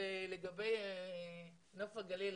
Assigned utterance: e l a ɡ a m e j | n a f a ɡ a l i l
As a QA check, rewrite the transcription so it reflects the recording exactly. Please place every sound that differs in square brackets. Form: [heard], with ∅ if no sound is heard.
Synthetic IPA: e l [e] ɡ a [b] e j | n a f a ɡ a l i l